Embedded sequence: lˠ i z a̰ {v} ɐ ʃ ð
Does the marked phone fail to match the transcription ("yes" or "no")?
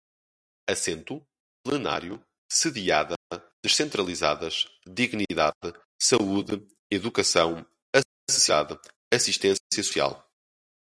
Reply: yes